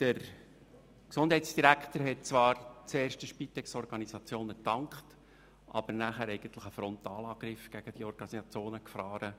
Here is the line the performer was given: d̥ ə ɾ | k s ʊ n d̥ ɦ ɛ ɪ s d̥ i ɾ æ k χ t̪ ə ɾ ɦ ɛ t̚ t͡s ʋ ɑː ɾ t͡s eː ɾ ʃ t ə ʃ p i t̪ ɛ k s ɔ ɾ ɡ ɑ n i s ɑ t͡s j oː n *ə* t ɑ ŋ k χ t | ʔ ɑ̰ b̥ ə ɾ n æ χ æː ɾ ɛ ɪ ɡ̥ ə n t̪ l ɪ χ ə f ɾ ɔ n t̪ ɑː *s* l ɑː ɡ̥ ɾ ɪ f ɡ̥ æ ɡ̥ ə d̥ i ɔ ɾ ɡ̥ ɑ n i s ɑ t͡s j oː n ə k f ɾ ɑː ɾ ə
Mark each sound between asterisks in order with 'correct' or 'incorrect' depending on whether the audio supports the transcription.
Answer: correct, incorrect: none

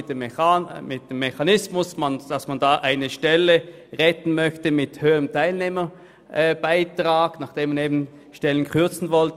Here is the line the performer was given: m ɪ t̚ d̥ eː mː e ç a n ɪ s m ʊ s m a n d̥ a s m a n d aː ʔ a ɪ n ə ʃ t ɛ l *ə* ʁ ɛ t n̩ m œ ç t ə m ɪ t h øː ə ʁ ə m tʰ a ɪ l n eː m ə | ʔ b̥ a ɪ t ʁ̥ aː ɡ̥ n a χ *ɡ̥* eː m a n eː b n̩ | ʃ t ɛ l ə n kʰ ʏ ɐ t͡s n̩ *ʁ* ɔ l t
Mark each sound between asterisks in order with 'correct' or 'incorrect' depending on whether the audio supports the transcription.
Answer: correct, incorrect: d̥, incorrect: v

